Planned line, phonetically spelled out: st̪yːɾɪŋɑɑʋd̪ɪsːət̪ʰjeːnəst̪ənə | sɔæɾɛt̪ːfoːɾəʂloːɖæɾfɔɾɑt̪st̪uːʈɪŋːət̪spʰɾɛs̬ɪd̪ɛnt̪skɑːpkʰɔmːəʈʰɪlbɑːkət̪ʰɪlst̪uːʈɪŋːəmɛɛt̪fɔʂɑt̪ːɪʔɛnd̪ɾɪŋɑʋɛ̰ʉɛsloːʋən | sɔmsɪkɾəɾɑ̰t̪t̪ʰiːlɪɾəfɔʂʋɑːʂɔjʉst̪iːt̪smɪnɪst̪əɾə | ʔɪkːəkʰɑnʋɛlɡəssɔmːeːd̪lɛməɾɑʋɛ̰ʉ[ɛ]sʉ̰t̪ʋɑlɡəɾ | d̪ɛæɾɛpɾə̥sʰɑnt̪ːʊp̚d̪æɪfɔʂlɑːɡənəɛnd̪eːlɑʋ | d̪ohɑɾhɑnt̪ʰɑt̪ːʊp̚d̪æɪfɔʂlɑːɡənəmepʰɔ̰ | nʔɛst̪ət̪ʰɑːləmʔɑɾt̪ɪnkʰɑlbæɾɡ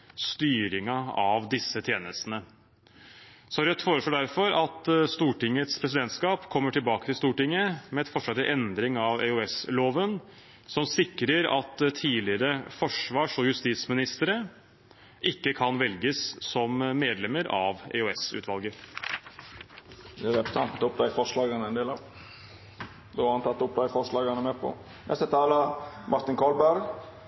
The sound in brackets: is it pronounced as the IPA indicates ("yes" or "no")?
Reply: yes